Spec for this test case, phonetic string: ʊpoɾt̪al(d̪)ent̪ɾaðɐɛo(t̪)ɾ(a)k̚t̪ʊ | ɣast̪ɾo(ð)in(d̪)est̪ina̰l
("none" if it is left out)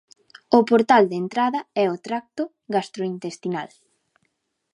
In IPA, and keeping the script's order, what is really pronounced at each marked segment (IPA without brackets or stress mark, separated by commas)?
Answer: d̪, t̪, a, none, t̪